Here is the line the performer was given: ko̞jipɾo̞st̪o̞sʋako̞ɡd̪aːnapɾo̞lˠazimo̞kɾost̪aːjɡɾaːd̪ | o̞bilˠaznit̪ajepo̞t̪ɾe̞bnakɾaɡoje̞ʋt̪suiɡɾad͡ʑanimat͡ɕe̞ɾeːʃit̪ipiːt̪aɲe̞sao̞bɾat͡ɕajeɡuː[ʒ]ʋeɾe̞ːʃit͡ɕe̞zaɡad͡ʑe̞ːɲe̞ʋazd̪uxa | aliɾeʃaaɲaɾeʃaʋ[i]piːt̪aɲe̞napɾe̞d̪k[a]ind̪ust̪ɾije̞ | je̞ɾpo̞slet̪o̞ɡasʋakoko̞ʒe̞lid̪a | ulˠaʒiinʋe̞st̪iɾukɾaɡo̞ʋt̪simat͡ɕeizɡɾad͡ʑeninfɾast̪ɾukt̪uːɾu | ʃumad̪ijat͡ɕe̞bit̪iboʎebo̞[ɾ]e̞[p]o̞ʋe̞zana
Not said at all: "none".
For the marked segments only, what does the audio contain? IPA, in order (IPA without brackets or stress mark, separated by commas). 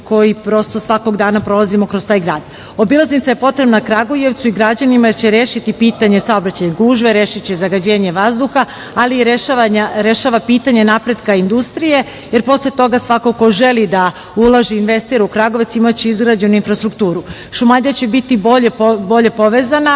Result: ʒ, a, a, ʎ, p